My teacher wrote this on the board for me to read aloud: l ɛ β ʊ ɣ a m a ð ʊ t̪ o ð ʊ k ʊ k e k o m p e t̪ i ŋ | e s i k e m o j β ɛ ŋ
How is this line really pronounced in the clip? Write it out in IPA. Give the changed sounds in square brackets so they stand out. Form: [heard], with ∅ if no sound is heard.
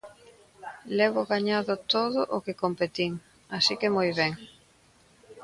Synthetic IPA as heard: l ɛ β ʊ ɣ a [ɲ] a ð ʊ t̪ o ð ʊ [ʔ] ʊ k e k o m p e t̪ i ŋ | [a] s i k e m o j β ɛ ŋ